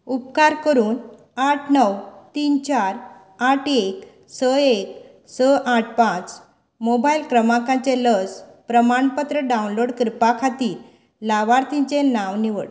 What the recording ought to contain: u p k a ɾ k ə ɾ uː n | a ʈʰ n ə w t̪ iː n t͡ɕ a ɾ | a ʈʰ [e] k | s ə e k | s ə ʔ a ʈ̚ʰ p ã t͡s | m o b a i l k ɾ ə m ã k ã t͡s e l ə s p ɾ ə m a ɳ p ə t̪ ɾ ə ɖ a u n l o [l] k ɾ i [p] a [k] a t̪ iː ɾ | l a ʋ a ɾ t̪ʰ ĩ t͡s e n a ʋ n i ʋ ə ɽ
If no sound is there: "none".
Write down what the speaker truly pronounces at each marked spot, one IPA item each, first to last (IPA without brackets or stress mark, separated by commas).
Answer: e, ɽ, p, kʰ